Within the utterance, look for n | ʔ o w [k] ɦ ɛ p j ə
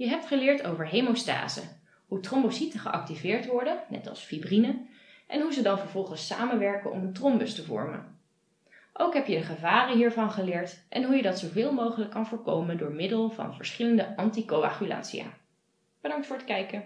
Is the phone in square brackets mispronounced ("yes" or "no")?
no